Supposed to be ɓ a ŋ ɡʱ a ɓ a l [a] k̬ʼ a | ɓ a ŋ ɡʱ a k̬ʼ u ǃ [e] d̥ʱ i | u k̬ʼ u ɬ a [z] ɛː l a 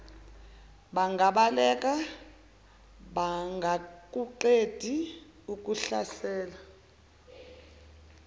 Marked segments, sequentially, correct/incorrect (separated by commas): incorrect, correct, incorrect